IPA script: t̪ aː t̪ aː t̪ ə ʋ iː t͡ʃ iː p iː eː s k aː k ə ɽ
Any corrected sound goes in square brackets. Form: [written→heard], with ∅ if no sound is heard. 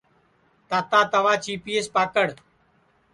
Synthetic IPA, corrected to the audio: t̪ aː t̪ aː t̪ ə ʋ [iː→aː] t͡ʃ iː p iː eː s [k→p] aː k ə ɽ